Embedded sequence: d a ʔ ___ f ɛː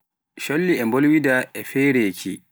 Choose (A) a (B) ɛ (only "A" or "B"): B